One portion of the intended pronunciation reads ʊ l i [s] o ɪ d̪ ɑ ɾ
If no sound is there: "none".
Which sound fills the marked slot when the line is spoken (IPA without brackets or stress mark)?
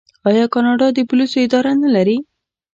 s